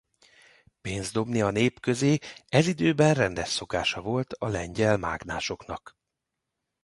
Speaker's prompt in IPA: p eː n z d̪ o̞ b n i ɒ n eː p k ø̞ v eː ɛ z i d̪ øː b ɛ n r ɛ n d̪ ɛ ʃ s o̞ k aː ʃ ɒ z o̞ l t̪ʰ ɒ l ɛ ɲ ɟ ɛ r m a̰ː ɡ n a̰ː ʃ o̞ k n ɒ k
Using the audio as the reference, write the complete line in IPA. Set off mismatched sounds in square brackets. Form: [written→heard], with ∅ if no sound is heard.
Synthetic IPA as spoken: p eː n z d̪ o̞ b n i ɒ n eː p k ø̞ [v→z] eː ɛ z i d̪ øː b ɛ n r ɛ n d̪ ɛ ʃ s o̞ k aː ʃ ɒ [z→v] o̞ l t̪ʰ ɒ l ɛ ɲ ɟ ɛ [r→l] m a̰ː ɡ n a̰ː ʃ o̞ k n ɒ k